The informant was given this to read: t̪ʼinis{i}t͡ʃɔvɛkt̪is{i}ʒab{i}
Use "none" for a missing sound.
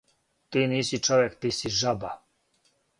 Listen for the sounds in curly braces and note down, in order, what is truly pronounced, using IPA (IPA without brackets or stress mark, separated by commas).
i, i, a